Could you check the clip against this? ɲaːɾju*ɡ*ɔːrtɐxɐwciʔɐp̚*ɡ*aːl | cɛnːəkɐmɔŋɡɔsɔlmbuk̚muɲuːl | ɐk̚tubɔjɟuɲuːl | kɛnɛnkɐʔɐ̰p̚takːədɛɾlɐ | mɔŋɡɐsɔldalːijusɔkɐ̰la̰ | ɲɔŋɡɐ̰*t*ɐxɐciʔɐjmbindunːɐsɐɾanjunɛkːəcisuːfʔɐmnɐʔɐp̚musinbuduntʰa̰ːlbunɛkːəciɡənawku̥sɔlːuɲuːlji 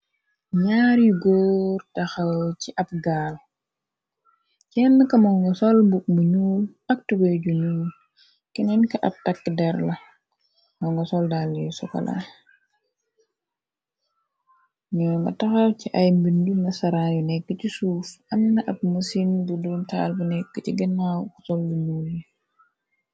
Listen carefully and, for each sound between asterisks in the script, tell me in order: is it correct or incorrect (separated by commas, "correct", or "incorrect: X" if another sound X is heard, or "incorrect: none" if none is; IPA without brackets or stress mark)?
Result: correct, correct, correct